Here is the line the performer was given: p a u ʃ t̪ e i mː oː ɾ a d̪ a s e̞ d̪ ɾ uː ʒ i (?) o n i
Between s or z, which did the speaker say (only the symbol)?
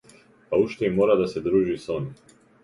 s